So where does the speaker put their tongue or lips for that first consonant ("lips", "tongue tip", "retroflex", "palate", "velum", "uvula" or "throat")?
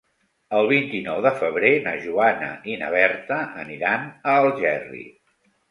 tongue tip